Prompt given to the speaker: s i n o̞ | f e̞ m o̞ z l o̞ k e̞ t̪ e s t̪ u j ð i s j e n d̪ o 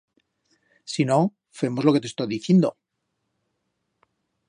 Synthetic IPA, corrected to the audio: s i n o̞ | f e̞ m o̞ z l o̞ k e̞ t̪ e s t̪ o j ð i θ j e n d̪ o